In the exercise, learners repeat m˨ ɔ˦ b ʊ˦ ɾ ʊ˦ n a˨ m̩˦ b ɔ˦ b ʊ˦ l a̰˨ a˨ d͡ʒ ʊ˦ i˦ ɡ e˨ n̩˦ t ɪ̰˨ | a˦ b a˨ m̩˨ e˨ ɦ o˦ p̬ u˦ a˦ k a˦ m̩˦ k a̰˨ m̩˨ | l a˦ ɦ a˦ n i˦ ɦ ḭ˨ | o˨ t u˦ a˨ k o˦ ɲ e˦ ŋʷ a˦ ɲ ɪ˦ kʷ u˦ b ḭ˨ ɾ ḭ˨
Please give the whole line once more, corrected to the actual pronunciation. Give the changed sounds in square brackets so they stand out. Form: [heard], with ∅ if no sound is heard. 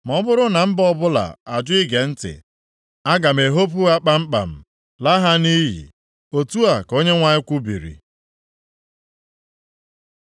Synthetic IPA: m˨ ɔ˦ b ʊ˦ ɾ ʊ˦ n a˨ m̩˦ b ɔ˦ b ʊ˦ l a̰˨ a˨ d͡ʒ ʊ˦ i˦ ɡ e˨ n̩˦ t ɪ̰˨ | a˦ [ɡ] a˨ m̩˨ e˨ ɦ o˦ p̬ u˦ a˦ [k͡p] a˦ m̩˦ [k͡p] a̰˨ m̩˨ | l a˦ ɦ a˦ n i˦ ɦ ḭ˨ | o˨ t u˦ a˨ k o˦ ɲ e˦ ŋʷ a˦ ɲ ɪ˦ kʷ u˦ b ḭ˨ ɾ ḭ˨